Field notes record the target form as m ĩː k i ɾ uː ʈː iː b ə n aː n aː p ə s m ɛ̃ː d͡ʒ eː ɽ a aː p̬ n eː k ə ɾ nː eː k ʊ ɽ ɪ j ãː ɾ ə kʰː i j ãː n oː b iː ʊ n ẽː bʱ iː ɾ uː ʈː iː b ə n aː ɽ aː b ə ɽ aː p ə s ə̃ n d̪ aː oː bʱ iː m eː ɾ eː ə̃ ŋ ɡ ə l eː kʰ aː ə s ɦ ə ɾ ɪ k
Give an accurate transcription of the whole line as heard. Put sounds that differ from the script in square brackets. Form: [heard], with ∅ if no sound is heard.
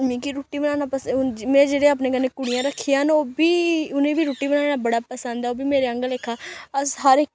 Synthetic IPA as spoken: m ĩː k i ɾ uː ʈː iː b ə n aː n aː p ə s m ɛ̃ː d͡ʒ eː ɽ [e] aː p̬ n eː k ə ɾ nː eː k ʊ ɽ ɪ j ãː ɾ ə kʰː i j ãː n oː b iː ʊ n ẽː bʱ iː ɾ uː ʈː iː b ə n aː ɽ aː b ə ɽ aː p ə s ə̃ n d̪ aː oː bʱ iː m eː ɾ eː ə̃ ŋ ɡ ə l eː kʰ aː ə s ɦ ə ɾ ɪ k